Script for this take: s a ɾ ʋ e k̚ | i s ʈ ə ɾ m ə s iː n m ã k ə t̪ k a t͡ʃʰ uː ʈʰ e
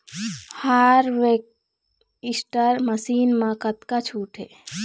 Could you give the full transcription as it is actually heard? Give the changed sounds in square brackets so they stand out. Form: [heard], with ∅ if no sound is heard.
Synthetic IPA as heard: [h] a ɾ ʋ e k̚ | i s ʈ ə ɾ m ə s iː n m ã k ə t̪ k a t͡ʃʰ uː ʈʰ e